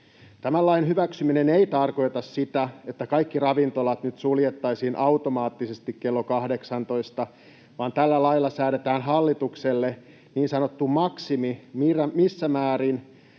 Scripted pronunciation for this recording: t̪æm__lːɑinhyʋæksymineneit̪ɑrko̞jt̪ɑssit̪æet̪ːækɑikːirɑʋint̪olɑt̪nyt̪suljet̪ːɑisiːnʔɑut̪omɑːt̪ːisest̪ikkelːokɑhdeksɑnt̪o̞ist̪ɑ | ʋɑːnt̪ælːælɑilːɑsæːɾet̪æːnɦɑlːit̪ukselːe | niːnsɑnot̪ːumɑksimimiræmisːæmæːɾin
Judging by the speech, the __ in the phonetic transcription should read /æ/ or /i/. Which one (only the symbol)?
æ